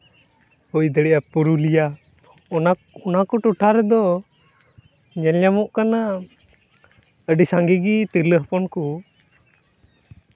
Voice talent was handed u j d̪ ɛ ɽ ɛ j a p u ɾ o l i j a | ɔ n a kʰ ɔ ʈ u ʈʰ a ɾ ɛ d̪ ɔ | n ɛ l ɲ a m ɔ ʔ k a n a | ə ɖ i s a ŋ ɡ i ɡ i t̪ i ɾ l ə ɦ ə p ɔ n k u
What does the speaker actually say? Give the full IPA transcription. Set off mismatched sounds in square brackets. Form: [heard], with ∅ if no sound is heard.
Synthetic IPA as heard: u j d̪ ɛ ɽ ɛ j a p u ɾ [u] l i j a | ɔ n a [k] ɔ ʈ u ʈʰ a ɾ ɛ d̪ ɔ | [ɲ] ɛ l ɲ a m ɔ ʔ k a n a | ə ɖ i s a ŋ ɡ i ɡ i t̪ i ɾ l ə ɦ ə p ɔ n k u